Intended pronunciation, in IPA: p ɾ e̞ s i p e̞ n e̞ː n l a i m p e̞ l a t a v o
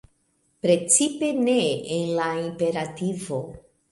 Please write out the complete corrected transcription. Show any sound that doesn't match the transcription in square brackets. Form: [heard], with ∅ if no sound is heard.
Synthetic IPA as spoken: p ɾ e̞ [t͡s] i p e̞ n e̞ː n l a i m p e̞ [ɾ] a t [i] v o